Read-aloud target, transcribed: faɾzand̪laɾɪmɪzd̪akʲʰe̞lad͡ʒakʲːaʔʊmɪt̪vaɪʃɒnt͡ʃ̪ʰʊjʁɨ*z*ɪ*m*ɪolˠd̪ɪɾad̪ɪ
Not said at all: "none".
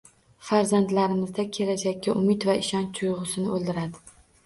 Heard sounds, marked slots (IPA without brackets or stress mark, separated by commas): s, n